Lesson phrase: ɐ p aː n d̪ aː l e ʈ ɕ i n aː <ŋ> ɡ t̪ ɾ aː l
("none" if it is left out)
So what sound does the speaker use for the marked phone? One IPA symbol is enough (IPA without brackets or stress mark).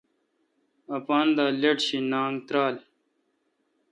ŋ